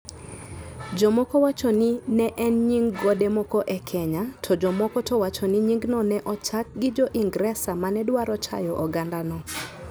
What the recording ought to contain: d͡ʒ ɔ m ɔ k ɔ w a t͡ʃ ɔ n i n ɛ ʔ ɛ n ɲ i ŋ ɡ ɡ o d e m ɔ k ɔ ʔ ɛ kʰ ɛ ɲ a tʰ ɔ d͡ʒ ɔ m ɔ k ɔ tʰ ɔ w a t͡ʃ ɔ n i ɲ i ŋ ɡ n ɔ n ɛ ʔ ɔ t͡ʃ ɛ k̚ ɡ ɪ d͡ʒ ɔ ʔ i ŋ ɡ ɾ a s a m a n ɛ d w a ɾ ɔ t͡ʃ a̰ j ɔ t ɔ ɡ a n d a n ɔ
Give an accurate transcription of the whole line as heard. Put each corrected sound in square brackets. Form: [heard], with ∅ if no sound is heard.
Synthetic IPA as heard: d͡ʒ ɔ m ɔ k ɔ w a t͡ʃ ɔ n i n ɛ ʔ ɛ n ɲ i ŋ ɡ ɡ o d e m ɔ k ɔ ʔ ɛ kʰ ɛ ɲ a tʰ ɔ d͡ʒ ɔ m ɔ k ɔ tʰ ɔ w a t͡ʃ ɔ n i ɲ i ŋ ɡ n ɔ n ɛ ʔ ɔ t͡ʃ [a] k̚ ɡ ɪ d͡ʒ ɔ ʔ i ŋ ɡ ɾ [ɛ] s a m a n ɛ d w a ɾ ɔ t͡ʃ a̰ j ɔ [ʔ] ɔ ɡ a n d a n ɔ